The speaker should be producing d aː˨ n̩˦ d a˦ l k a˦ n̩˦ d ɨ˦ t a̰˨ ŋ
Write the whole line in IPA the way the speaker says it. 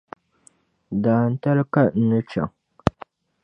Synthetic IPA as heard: d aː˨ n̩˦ t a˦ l k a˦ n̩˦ n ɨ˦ t͡ʃ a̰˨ ŋ